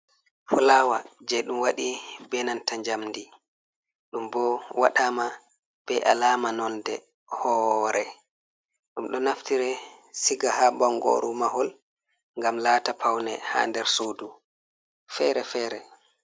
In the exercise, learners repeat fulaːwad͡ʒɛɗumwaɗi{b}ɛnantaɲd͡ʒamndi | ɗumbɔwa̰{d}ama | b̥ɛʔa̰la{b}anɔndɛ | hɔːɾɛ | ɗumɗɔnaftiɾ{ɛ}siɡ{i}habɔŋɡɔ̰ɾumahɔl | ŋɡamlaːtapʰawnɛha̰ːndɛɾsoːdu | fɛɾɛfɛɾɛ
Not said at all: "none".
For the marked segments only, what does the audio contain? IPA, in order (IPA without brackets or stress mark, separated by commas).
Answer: b, ɗ, m, ɛ, a